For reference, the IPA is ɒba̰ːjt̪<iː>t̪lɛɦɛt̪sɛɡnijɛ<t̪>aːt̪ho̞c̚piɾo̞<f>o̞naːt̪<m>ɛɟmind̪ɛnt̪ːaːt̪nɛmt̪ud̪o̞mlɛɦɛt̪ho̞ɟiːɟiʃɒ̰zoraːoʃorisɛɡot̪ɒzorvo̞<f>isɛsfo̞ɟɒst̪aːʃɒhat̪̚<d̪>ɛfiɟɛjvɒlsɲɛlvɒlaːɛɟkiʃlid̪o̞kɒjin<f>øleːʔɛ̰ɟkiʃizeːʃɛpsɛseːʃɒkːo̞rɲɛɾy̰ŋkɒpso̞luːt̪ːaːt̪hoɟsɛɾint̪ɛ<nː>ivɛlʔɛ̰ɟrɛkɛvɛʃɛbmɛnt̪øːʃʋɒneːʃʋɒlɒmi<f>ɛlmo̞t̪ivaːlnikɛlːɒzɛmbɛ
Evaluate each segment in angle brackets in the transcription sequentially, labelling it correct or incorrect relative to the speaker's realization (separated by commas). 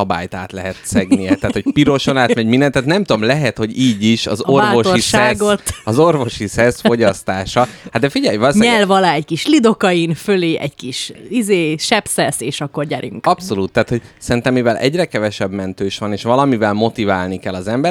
incorrect, correct, incorrect, correct, incorrect, correct, correct, incorrect, incorrect